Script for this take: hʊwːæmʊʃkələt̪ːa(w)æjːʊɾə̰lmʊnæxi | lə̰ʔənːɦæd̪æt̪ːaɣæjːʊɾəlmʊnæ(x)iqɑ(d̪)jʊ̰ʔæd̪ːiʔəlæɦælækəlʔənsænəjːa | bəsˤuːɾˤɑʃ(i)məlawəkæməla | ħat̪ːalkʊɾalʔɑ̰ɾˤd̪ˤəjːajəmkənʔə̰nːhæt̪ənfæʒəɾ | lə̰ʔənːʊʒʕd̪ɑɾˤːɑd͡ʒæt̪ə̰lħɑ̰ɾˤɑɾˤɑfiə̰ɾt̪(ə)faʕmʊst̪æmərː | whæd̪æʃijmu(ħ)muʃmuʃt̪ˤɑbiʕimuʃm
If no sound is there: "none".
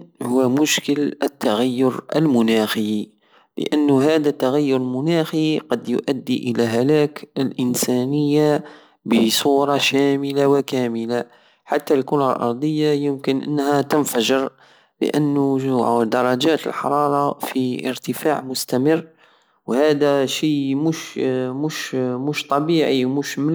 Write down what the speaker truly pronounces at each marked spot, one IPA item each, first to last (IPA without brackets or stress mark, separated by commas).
ɣ, x, d̪, æ, ə, ʃ